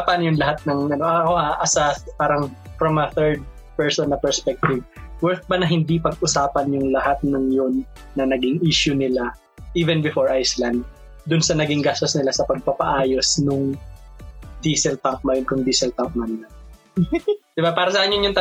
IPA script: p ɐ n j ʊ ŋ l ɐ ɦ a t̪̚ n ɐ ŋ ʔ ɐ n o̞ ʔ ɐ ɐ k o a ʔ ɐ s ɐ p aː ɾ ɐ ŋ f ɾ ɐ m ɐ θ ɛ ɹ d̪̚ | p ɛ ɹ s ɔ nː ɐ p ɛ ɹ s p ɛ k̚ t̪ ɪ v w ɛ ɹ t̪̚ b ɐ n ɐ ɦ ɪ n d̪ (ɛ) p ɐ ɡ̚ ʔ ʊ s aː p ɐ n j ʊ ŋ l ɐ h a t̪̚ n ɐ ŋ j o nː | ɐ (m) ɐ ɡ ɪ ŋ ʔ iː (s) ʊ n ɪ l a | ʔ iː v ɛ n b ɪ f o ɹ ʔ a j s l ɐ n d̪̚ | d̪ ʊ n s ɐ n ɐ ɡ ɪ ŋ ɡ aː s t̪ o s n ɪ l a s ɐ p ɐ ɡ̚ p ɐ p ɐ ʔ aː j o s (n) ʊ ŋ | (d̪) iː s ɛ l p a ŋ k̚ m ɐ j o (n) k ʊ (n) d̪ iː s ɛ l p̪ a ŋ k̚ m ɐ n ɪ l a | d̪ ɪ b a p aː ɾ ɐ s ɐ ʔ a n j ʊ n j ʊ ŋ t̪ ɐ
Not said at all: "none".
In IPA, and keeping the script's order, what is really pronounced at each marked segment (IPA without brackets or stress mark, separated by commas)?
i, n, ʃ, n, d̪, n, ŋ